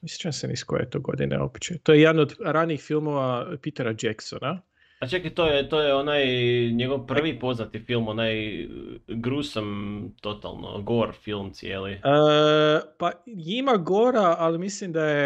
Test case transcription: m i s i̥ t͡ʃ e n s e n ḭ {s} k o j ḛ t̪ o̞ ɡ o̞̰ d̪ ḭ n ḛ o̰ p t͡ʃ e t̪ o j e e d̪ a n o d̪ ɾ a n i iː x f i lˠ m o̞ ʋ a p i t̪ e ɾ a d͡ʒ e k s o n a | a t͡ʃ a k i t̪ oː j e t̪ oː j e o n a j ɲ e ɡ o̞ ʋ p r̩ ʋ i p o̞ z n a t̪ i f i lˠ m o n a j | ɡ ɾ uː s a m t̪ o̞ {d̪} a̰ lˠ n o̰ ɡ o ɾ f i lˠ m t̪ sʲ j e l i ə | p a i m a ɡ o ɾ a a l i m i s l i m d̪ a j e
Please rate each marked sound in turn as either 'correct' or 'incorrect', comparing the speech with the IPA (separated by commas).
correct, incorrect